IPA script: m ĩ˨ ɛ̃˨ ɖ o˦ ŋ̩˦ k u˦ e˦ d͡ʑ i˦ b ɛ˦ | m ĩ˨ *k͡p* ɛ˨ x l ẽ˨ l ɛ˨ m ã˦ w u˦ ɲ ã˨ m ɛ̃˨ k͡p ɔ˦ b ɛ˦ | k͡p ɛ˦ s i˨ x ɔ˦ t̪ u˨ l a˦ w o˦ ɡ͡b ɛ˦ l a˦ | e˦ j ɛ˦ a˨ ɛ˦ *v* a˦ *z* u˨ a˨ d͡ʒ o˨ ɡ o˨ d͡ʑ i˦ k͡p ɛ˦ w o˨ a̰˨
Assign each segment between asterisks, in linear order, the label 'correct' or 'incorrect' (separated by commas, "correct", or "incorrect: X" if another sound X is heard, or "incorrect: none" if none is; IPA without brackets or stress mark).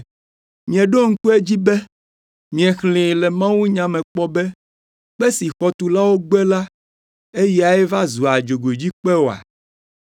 incorrect: none, correct, correct